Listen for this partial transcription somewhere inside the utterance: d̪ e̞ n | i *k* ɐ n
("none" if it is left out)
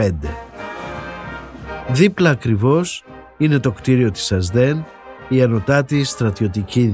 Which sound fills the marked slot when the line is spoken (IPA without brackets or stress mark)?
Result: none